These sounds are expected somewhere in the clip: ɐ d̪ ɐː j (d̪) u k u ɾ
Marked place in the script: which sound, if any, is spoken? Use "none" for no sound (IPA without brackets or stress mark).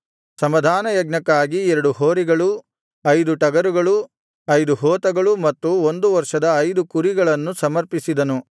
d̪